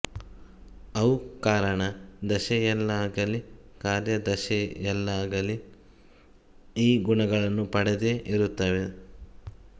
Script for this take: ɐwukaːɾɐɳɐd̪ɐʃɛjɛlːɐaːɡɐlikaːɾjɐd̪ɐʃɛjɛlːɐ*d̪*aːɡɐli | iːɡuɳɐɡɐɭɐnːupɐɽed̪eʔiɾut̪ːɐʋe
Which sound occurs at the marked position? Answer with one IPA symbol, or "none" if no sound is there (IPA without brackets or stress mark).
none